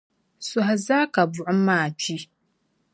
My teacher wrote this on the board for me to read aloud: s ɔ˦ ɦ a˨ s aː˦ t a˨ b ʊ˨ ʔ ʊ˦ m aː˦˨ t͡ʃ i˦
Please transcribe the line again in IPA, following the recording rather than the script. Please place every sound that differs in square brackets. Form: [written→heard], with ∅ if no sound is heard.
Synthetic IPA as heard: s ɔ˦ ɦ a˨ [s→z] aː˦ [t→k] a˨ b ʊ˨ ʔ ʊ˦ m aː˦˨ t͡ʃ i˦

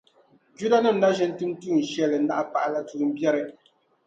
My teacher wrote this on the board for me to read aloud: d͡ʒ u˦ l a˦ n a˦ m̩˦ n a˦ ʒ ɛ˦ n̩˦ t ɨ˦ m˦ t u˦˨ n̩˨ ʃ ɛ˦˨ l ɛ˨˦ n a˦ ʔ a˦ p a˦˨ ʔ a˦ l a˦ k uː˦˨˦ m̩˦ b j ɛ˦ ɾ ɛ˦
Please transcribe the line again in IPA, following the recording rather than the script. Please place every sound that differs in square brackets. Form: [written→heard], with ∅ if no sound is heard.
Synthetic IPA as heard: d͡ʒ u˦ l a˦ n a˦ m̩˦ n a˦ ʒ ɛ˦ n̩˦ t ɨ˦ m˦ t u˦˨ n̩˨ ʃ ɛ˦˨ l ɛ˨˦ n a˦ ʔ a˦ p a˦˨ ʔ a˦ l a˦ [k→t] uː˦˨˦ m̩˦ b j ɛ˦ ɾ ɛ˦

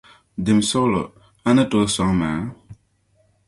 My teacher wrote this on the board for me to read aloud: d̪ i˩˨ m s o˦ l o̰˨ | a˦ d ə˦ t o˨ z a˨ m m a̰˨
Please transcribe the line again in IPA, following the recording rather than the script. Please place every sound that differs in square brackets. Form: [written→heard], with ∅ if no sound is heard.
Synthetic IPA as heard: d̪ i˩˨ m s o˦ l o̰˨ | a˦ [d→n] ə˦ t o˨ [z→s] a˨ [m→ŋ] m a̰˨

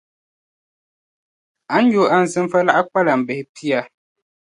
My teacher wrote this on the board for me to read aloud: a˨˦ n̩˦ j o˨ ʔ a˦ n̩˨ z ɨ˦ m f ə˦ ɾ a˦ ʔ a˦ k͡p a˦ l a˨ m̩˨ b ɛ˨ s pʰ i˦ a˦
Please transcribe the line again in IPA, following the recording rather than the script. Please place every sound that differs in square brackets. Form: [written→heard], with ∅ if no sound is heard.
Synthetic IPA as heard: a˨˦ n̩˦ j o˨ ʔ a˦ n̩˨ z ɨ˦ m f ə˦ [ɾ→l] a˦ ʔ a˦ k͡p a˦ l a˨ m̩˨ b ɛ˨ [s→h] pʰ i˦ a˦

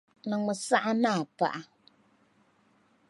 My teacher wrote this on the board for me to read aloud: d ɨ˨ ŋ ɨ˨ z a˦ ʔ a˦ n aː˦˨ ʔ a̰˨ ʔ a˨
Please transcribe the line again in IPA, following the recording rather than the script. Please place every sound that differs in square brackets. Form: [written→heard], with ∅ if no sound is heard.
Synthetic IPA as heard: [d→n] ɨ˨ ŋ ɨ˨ [z→s] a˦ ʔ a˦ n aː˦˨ [ʔ→p] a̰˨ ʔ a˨

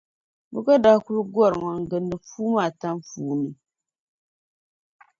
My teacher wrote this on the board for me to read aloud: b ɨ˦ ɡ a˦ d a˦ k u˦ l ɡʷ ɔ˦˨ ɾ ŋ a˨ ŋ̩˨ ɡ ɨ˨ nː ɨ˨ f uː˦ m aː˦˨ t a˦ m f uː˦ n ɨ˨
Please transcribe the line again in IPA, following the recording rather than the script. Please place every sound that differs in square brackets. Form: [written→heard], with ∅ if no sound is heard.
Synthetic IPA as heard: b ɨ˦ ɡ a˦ d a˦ k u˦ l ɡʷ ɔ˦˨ ɾ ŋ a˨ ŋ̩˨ ɡ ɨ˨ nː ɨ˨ f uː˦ m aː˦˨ t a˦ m f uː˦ n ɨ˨

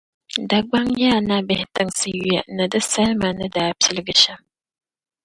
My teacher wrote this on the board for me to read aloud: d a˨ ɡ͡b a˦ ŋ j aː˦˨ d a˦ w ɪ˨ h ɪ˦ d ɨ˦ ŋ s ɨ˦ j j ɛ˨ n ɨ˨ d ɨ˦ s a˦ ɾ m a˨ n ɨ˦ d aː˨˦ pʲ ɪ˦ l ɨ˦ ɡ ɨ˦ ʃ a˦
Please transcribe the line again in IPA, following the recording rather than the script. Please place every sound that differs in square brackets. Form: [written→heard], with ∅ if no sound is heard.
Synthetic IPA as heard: d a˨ ɡ͡b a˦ ŋ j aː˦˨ [d→n] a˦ [w→b] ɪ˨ h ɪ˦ [d→t] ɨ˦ ŋ s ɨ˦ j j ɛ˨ n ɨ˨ d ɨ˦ s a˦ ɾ m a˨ n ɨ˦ d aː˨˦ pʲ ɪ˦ l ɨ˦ ɡ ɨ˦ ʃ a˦

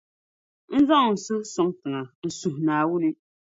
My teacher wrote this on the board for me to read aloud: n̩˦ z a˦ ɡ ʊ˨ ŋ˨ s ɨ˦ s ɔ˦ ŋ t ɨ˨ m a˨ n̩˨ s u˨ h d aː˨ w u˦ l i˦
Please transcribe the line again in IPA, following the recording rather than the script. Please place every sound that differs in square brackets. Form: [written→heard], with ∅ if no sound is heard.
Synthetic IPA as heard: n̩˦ z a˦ [ɡ→ŋ] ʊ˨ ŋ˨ s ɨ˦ s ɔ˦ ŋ t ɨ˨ [m→ŋ] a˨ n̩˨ s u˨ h [d→n] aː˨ w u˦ l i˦

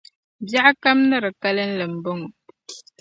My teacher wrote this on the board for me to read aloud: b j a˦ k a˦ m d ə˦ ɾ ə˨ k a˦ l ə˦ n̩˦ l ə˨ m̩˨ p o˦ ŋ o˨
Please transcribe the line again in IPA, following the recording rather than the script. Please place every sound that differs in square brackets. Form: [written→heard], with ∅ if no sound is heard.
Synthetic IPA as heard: b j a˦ k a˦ m [d→n] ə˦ ɾ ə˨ k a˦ l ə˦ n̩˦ l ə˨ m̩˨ [p→b] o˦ ŋ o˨

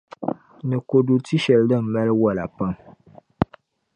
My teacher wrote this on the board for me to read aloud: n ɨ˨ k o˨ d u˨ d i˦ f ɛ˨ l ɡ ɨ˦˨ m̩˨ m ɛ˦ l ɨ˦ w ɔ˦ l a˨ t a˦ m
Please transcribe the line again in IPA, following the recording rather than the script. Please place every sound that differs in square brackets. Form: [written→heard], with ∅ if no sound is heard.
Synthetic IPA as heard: n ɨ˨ k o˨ d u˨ [d→t] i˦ [f→ʃ] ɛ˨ l [ɡ→d] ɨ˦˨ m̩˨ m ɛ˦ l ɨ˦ w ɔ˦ l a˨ [t→p] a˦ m

